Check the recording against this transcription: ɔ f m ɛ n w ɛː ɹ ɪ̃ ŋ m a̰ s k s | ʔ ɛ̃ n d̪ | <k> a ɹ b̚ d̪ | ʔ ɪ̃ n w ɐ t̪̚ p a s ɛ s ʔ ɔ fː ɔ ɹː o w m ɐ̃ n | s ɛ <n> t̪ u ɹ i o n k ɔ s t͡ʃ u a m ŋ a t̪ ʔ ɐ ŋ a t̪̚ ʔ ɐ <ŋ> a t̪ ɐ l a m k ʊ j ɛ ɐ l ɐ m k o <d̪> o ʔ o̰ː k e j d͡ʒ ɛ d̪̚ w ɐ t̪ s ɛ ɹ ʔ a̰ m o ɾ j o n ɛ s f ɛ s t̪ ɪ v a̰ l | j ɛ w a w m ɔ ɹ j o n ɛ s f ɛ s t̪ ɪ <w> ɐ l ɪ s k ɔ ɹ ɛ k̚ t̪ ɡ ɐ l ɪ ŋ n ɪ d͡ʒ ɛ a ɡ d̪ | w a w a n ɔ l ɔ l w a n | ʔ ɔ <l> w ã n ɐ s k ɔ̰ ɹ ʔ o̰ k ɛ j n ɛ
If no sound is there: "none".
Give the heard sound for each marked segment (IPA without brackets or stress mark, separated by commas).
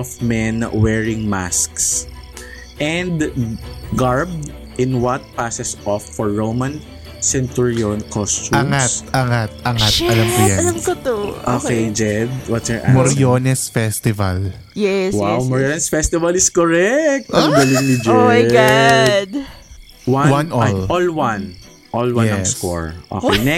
ɡ, n, ŋ, t̪, v, l